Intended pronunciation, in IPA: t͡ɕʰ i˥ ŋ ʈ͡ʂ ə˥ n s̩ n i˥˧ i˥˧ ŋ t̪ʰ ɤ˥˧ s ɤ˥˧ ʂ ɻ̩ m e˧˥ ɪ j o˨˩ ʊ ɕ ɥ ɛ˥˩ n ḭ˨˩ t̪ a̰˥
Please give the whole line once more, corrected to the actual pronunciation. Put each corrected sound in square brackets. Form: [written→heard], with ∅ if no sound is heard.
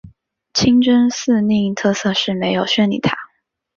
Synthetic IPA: t͡ɕʰ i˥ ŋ ʈ͡ʂ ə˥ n s̩ n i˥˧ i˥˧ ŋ t̪ʰ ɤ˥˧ s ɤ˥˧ ʂ ɻ̩ m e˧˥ ɪ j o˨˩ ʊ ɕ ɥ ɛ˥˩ n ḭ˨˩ [t̪→t̪ʰ] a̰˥